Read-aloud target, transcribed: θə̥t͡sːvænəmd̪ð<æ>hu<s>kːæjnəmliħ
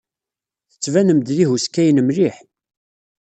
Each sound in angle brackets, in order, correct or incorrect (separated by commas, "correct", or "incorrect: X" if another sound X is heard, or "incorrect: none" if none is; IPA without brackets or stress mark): incorrect: i, correct